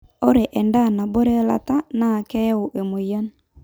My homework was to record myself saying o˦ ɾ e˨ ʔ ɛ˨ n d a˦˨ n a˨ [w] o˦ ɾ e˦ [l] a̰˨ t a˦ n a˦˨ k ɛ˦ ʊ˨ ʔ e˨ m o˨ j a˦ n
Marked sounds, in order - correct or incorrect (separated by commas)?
incorrect, correct